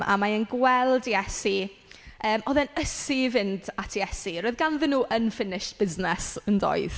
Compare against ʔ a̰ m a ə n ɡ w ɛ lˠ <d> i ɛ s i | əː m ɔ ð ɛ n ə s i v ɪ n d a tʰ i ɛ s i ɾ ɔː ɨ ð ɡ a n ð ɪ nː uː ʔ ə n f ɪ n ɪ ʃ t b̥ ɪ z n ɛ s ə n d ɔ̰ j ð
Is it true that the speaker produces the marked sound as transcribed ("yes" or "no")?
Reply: yes